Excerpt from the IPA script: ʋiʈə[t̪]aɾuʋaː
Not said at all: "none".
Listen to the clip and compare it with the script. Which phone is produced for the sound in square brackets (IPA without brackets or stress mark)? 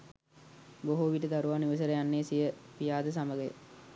d̪